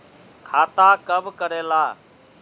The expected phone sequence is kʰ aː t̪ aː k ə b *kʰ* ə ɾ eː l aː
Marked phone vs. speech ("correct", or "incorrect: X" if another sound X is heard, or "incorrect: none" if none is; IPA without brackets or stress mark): incorrect: k